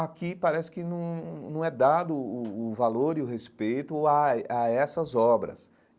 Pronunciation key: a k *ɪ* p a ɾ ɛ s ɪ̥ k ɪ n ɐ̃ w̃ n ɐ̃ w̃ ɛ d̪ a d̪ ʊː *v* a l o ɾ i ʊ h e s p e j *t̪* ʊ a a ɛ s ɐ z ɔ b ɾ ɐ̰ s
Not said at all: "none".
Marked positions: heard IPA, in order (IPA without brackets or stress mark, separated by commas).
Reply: i, v, t̪